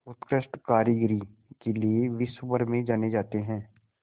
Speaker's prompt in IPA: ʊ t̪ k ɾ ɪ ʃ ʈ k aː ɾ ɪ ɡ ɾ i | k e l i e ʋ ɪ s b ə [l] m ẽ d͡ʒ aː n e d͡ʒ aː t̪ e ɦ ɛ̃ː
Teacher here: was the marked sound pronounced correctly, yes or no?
no